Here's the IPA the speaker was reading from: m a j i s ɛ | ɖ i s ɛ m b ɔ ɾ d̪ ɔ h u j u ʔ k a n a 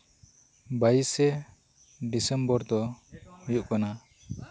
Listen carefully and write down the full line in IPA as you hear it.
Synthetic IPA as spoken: b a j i s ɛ | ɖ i s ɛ m b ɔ ɾ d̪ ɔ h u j u ʔ k a n a